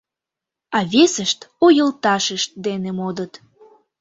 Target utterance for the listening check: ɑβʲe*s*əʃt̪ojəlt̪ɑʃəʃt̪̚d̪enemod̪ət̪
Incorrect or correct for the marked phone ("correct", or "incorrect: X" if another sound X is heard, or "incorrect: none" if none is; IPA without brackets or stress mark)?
correct